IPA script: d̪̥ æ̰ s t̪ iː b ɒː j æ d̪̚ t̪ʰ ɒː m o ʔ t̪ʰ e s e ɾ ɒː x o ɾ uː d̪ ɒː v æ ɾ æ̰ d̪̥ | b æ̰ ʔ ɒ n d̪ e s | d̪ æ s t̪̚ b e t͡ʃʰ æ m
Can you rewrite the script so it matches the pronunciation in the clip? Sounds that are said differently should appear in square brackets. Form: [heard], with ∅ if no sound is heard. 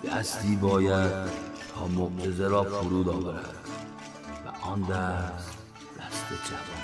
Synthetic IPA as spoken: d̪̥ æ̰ s t̪ iː b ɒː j æ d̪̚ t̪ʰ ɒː m o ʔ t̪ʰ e [z] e ɾ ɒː [f] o ɾ uː d̪ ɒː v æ ɾ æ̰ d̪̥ | [v] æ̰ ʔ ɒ n d̪ [æ] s | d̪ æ s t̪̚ b e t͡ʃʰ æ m